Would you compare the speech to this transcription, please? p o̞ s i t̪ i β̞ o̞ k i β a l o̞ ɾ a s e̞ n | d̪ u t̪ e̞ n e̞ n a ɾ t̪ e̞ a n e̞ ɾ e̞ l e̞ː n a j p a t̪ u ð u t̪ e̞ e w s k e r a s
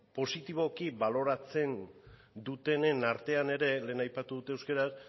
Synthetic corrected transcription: p o̞ s i t̪ i β̞ o̞ k i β a l o̞ ɾ a t͡s e̞ n | d̪ u t̪ e̞ n e̞ n a ɾ t̪ e̞ a n e̞ ɾ e̞ l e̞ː n a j p a t̪ u ð u t̪ e̞ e w s k e ɾ a s